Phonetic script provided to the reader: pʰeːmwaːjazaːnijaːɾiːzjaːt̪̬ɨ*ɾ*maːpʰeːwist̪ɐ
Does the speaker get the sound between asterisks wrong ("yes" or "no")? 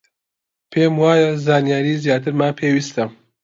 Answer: no